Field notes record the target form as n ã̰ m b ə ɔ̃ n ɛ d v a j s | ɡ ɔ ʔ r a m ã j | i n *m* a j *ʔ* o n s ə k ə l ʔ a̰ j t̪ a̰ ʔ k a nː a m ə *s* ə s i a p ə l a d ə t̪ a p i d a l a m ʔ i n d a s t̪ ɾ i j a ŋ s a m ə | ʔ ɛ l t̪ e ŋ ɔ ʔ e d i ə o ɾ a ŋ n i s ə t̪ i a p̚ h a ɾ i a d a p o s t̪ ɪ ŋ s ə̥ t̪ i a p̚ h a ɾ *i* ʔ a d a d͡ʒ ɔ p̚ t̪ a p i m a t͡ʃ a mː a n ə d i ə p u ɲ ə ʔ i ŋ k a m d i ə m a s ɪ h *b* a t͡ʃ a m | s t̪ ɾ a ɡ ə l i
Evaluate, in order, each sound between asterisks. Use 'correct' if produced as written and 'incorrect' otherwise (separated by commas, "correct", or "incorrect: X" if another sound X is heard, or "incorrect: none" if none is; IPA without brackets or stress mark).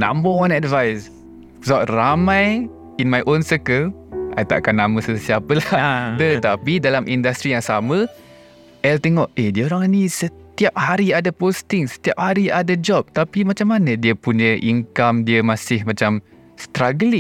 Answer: correct, correct, correct, correct, incorrect: m